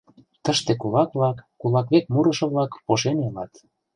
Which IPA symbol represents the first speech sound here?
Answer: t̪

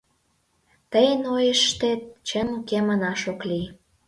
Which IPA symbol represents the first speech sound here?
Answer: t̪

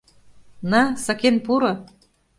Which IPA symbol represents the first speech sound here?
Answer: n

